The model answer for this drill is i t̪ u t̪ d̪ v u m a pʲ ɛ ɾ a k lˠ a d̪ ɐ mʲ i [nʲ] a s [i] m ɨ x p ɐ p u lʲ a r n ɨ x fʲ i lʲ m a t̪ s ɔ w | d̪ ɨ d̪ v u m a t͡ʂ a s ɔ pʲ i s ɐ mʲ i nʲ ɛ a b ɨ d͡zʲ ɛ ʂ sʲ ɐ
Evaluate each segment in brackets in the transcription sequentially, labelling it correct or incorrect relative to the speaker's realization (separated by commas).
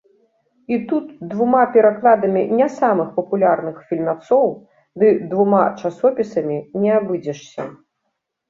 correct, incorrect